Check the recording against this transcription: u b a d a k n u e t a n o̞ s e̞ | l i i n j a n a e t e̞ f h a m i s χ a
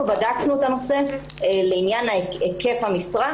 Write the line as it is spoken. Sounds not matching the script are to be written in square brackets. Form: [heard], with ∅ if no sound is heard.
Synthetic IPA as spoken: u b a d a k n u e t a n o̞ s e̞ | l [e] i n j a n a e [k] e̞ f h a m i s [ʁ] a